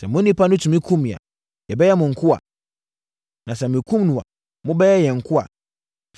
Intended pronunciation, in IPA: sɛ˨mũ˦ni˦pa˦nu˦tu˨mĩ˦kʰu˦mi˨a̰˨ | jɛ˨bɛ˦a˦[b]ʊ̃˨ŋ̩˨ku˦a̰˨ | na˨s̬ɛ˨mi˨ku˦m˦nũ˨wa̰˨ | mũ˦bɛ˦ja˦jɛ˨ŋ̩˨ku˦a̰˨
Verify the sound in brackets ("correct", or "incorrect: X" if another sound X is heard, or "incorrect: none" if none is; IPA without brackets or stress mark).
incorrect: m